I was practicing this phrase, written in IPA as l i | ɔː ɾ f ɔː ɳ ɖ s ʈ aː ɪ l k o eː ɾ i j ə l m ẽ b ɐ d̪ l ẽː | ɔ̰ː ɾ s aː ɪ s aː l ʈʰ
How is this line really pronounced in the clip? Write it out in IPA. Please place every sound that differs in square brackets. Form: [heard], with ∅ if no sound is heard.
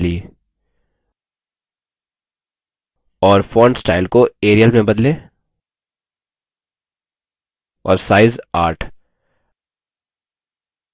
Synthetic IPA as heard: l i | ɔː ɾ f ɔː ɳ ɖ s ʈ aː ɪ l k o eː ɾ i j ə l m ẽ b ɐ d̪ l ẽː | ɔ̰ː ɾ s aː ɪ [z] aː [ɾ] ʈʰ